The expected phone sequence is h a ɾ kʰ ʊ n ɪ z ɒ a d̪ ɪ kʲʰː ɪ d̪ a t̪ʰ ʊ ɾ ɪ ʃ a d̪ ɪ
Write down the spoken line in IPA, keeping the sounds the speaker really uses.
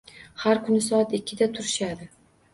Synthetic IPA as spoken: h a ɾ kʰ ʊ n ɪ s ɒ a t̪ ɪ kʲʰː ɪ d̪ a t̪ʰ ʊ ɾ ɪ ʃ a d̪ ɪ